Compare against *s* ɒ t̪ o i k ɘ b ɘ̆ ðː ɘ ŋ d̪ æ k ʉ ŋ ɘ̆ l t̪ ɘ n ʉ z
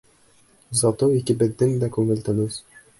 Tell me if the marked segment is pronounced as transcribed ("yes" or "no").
no